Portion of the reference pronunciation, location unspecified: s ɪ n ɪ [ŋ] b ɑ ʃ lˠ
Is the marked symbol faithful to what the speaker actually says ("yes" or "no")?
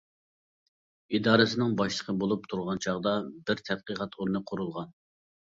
yes